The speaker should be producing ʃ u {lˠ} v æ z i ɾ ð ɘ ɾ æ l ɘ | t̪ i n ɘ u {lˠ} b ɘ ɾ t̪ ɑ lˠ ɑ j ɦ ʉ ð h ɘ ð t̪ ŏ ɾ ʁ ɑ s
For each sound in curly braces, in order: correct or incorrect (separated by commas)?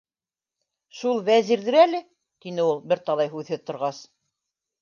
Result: correct, correct